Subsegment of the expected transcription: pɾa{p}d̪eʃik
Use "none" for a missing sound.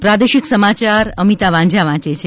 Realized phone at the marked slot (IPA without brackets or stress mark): none